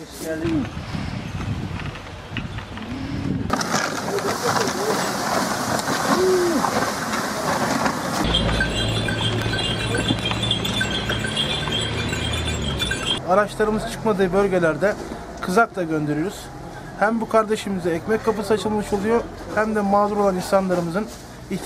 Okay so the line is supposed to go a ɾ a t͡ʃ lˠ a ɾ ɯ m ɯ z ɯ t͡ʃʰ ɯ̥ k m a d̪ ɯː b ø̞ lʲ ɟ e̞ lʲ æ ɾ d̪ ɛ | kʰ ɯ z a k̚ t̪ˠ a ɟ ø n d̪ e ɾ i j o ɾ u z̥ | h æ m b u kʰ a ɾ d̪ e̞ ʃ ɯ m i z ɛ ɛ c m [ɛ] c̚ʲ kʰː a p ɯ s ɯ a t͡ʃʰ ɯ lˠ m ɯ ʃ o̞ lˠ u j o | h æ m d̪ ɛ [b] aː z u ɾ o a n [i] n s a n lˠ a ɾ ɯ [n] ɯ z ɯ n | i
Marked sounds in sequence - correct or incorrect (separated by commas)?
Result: correct, incorrect, correct, incorrect